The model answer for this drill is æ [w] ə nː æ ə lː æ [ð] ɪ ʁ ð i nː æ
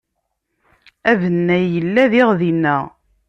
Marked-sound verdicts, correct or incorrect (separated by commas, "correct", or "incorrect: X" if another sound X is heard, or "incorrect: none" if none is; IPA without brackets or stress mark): incorrect: v, correct